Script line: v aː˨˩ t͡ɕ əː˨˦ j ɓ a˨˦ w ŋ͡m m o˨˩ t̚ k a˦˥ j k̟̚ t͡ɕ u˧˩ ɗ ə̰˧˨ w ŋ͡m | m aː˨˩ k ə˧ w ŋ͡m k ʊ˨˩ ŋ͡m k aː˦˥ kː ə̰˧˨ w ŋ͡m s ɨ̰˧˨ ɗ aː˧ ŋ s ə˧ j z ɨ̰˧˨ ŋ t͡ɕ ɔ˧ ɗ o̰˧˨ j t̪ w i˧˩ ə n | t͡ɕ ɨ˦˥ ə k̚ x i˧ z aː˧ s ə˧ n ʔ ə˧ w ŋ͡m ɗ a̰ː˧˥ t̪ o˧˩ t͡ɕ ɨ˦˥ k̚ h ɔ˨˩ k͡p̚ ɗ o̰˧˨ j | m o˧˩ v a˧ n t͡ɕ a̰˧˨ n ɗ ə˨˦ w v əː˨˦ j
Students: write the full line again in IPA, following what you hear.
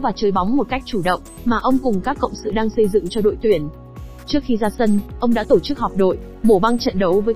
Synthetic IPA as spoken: v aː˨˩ t͡ɕ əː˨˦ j ɓ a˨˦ w ŋ͡m m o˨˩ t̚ k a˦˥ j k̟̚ t͡ɕ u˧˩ ɗ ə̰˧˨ w ŋ͡m | m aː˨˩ ʔ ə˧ w ŋ͡m k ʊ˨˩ ŋ͡m k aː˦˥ kː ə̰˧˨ w ŋ͡m s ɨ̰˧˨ ɗ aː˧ ŋ s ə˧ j z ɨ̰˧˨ ŋ t͡ɕ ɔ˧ ɗ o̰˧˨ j t̪ w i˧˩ ə n | t͡ɕ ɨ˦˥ ə k̚ x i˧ z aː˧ s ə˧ n ʔ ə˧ w ŋ͡m ɗ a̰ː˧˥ t̪ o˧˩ t͡ɕ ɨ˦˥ k̚ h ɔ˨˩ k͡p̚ ɗ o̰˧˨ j | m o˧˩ v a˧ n t͡ɕ ə̰˧˨ n ɗ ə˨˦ w v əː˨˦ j